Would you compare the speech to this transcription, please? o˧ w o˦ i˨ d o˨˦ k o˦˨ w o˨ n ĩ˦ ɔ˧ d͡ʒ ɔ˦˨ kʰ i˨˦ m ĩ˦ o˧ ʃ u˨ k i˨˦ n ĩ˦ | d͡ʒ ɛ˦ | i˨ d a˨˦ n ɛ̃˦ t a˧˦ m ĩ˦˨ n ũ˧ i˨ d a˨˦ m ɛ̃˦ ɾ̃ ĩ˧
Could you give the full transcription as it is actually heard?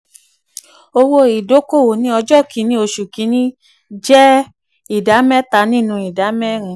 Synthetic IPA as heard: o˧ w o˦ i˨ d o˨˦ k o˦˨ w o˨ n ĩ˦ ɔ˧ d͡ʒ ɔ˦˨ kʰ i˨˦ n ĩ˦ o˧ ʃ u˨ k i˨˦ n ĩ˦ | d͡ʒ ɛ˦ | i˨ d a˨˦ m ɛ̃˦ t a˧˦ n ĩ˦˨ n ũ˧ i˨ d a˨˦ m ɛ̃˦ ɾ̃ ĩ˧